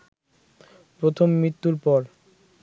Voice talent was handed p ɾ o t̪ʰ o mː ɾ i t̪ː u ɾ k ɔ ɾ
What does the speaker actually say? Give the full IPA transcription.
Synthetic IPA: p ɾ o t̪ʰ o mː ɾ i t̪ː u ɾ p ɔ ɾ